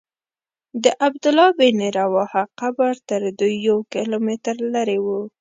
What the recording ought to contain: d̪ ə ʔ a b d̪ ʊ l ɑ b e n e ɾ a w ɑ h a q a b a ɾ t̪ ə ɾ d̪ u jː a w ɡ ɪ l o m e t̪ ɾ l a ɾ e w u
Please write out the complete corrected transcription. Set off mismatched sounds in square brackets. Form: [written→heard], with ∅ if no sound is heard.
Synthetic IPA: d̪ ə ʔ a b d̪ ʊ l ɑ b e n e ɾ a w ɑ h a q a b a ɾ t̪ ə ɾ d̪ u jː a w [ɡ→k] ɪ l o m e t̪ ɾ l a ɾ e w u

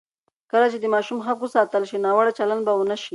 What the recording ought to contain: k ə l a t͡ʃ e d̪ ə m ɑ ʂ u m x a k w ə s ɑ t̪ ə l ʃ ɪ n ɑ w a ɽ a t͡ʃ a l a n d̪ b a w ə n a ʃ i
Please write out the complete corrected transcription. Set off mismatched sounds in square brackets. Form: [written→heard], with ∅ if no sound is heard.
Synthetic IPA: k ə l a t͡ʃ e d̪ ə m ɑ [ʂ→ʃ] u m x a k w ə s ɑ t̪ ə l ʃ [ɪ→i] n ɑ w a ɽ a t͡ʃ a l a n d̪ b a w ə n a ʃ i

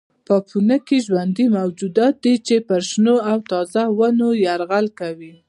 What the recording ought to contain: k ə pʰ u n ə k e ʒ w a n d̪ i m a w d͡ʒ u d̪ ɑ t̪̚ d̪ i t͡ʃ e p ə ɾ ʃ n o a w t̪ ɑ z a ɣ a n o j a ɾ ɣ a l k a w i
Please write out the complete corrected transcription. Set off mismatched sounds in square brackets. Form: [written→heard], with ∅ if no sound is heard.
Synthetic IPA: [k→p] ə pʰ u n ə k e ʒ w a n d̪ i m a w d͡ʒ u d̪ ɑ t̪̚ d̪ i t͡ʃ e p ə ɾ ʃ n o a w t̪ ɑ z a [ɣ→w] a n o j a ɾ ɣ a l k a w i

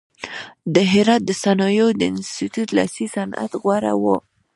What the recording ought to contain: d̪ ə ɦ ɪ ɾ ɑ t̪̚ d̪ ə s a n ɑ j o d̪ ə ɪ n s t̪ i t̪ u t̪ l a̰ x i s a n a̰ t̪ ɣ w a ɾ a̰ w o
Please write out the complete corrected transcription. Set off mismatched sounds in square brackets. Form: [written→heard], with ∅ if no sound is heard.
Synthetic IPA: d̪ ə ɦ ɪ ɾ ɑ t̪̚ d̪ ə s a n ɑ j o d̪ ə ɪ n s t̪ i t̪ u t̪ l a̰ [x→s] i s a n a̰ t̪ ɣ w a ɾ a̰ w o

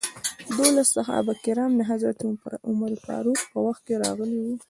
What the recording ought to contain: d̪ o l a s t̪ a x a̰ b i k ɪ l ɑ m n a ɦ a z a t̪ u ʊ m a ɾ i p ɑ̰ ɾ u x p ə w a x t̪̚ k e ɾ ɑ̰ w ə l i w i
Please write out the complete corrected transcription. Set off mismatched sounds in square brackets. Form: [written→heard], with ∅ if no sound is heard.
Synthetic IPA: d̪ o l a s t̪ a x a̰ b [i→a] k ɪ [l→ɾ] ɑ m n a ɦ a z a t̪ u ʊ m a ɾ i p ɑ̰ ɾ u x p ə w a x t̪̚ k e ɾ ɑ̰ [w→ɣ] ə l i w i

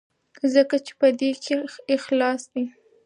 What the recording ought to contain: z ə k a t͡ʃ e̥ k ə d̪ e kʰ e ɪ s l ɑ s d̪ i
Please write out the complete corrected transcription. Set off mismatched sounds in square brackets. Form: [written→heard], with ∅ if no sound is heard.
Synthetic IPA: z ə k a t͡ʃ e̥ [k→p] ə d̪ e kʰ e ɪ [s→x] l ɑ s d̪ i

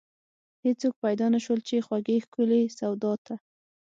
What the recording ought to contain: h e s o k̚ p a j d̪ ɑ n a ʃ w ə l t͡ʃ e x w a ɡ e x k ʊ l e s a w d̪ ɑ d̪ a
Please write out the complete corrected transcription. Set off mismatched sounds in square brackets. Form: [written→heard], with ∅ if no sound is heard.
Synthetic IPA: h e [s→t͡s] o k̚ p a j d̪ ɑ n a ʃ w ə l t͡ʃ e x w a ɡ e x k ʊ l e s a w d̪ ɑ [d̪→t̪] a

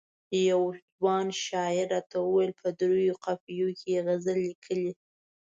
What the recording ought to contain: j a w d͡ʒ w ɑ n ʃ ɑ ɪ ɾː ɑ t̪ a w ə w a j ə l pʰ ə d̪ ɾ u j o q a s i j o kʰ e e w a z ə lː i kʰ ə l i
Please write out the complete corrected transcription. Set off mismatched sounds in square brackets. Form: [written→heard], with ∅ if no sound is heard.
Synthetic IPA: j a w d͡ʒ w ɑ n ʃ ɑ ɪ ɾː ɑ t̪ a w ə w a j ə l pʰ ə d̪ ɾ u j o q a [s→f] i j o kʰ e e [w→ɣ] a z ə lː i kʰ ə l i

